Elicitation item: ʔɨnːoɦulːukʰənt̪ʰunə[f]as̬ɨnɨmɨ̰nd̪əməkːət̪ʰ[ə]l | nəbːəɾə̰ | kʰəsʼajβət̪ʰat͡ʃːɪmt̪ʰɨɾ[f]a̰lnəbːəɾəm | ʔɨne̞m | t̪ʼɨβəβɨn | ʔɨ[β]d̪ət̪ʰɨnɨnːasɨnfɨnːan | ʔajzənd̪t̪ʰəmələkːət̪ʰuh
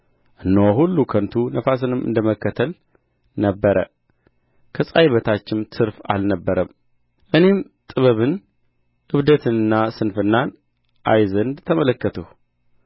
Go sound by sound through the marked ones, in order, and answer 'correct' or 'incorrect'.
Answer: correct, correct, correct, correct

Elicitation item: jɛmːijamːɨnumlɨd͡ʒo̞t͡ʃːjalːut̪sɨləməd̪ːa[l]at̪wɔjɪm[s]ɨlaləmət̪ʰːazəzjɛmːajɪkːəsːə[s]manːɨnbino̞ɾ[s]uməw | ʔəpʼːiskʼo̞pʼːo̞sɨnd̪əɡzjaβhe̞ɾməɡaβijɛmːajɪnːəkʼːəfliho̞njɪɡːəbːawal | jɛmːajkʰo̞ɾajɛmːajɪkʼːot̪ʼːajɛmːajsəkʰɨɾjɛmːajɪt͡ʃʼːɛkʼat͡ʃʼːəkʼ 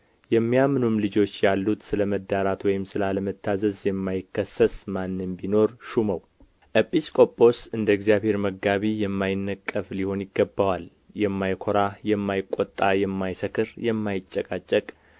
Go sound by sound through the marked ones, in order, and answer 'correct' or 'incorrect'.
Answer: incorrect, correct, correct, incorrect

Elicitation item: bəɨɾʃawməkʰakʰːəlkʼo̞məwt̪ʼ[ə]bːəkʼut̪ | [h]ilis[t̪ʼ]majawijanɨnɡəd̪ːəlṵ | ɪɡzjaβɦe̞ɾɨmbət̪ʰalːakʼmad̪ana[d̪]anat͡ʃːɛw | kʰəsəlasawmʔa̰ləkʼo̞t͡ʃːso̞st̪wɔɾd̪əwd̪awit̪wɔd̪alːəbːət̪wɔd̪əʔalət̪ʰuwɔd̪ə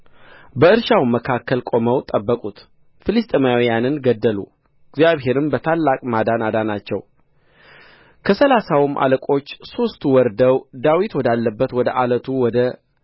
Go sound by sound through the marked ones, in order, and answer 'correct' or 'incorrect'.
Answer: correct, incorrect, correct, correct

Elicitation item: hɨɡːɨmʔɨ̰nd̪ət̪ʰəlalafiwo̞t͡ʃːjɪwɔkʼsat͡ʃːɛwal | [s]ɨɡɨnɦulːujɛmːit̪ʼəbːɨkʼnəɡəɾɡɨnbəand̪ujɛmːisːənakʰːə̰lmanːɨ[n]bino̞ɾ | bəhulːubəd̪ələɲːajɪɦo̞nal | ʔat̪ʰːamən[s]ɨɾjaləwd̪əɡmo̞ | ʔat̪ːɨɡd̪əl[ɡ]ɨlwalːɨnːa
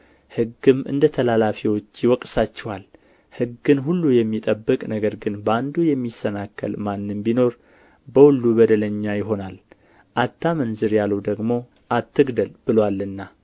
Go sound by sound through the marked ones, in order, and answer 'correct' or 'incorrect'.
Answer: incorrect, incorrect, incorrect, incorrect

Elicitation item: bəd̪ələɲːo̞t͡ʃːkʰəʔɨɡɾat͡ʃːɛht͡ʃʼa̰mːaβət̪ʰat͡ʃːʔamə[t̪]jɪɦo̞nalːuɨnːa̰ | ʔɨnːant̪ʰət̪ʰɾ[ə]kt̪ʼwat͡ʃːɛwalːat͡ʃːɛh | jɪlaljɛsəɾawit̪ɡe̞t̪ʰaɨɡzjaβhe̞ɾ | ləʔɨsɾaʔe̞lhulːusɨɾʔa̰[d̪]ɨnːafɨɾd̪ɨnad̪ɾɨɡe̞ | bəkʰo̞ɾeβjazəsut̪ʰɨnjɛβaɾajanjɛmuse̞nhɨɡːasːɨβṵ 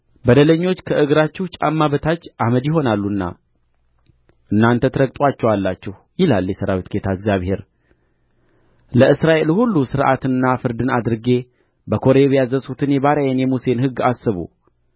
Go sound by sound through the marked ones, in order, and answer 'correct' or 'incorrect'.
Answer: incorrect, correct, incorrect

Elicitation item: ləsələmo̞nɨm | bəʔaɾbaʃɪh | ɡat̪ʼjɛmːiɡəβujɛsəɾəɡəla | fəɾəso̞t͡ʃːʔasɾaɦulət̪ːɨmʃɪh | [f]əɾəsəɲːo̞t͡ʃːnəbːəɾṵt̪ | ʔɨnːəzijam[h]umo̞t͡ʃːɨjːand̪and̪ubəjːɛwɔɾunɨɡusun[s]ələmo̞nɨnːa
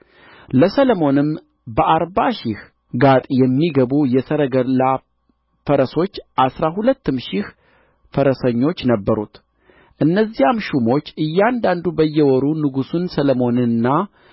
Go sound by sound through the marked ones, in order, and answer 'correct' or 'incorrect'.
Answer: correct, incorrect, correct

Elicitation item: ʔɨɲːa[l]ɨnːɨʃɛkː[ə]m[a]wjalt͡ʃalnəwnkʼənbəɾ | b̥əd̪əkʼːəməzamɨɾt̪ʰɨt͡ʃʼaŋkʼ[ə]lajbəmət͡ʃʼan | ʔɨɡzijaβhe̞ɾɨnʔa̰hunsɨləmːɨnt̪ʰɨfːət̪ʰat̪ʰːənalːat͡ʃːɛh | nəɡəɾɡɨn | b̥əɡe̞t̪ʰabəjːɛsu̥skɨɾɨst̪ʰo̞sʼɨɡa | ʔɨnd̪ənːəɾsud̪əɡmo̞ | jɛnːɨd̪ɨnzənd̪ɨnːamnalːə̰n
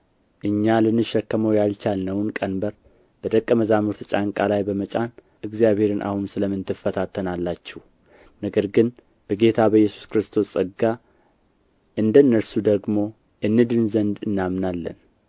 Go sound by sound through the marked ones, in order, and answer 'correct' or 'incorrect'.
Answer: correct, correct, incorrect, incorrect

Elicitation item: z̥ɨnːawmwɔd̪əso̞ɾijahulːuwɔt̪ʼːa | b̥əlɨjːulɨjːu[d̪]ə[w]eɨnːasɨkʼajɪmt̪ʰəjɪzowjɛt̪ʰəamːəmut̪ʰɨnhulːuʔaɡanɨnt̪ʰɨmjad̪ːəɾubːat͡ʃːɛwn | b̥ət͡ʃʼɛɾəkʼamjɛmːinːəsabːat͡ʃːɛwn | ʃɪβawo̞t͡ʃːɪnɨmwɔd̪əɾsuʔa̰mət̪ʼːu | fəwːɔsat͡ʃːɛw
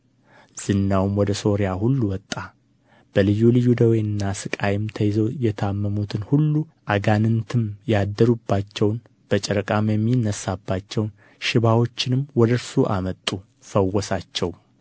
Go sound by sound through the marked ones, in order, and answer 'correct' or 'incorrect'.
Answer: correct, correct

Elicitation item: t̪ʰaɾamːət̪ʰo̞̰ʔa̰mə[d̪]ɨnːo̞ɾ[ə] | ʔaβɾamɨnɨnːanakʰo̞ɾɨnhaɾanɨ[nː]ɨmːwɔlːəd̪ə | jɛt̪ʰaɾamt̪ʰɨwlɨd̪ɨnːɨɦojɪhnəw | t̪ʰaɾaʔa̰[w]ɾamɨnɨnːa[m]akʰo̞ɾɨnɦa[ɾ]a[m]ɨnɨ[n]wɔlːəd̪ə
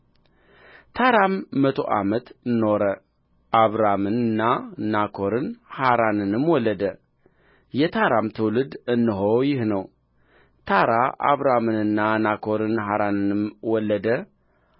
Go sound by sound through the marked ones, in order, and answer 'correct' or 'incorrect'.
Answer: incorrect, correct, incorrect, incorrect, incorrect, correct, incorrect, incorrect

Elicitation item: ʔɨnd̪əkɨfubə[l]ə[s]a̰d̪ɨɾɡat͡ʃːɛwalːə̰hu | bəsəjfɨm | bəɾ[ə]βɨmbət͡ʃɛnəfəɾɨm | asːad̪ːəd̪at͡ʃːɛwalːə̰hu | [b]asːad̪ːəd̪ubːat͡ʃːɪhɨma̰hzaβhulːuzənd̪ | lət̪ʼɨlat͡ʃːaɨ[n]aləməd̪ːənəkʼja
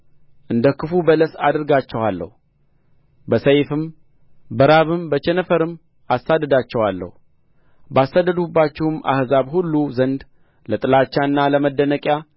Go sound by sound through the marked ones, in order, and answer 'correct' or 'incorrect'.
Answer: correct, correct, incorrect, correct, incorrect

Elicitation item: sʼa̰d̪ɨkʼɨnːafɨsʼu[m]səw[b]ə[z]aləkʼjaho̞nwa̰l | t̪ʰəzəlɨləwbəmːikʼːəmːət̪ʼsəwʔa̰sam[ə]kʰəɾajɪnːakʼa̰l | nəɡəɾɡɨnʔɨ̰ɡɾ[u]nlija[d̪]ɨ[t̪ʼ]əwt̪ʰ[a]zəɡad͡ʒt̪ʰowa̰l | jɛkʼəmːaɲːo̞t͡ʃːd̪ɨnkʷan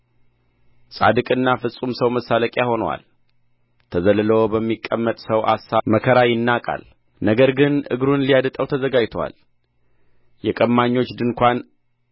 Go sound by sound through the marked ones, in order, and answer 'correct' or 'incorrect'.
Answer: correct, incorrect, incorrect, correct, correct, correct, correct, incorrect

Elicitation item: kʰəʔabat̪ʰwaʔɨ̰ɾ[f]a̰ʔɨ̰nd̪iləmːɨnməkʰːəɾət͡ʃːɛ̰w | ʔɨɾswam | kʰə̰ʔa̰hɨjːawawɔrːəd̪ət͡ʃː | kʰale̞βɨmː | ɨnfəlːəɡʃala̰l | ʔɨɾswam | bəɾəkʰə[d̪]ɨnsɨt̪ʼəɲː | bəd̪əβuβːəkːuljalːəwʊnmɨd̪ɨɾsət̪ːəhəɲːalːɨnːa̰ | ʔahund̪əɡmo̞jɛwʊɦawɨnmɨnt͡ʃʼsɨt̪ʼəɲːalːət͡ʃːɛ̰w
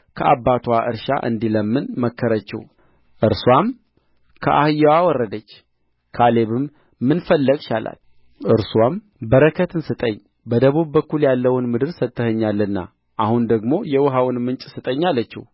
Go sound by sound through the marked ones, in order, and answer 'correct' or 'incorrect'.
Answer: incorrect, incorrect

